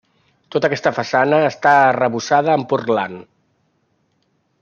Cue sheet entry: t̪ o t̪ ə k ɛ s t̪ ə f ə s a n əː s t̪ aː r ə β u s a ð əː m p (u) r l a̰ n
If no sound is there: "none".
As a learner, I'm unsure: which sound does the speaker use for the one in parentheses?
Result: u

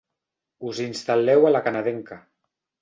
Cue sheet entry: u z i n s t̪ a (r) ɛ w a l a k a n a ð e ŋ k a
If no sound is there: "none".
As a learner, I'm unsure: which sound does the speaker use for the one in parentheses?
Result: l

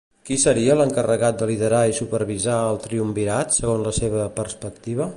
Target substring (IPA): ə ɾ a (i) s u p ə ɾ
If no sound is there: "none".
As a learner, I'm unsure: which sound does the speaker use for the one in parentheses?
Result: i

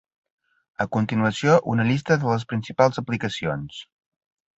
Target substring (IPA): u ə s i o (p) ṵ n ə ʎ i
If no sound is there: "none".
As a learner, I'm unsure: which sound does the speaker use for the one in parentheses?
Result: ʔ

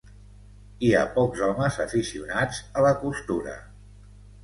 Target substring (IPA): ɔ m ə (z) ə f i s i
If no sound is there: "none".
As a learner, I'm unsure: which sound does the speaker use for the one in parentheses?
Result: z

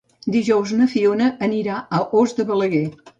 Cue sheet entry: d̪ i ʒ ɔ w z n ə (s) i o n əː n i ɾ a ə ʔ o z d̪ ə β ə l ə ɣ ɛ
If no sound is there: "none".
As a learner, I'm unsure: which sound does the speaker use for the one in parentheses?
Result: f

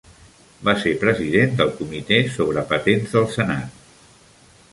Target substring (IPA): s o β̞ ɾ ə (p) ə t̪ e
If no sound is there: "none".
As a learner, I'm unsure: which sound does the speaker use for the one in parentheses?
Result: p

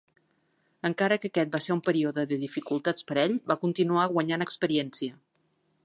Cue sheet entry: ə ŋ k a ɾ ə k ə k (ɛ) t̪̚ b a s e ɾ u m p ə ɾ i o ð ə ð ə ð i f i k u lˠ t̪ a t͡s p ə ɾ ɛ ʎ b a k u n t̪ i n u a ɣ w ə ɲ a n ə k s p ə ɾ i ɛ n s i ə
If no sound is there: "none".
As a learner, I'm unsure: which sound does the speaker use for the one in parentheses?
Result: ɛ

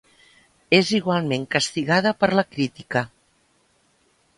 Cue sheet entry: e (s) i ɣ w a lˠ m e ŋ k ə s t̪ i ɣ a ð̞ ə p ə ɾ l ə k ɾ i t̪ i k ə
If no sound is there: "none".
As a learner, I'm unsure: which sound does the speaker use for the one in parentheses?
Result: z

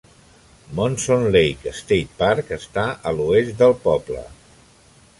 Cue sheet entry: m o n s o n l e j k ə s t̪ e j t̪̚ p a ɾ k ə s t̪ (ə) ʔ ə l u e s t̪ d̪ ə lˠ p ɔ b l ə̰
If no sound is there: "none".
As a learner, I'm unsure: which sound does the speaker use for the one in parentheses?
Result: a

